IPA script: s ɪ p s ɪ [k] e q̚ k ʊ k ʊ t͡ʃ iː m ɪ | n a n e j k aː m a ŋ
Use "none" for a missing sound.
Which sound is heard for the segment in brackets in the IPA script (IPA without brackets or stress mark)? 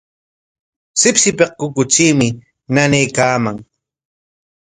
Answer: p